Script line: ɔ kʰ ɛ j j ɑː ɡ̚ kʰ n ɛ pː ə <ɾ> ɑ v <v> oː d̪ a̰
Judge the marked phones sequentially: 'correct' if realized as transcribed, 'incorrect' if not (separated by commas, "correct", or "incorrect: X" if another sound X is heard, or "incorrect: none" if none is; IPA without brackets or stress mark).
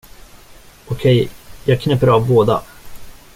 correct, incorrect: b